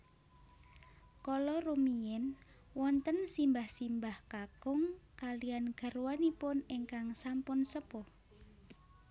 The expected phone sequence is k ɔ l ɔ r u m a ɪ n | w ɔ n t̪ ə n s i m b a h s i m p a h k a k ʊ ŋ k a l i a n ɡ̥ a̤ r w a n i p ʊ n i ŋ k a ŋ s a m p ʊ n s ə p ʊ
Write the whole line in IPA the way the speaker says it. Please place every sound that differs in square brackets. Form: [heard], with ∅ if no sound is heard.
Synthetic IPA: k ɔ l ɔ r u m [i] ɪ n | w ɔ n t̪ ə n s i m b a h s i m [b] a h k a k ʊ ŋ k a l i a n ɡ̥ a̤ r w a n i p ʊ n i ŋ k a ŋ s a m p ʊ n s ə p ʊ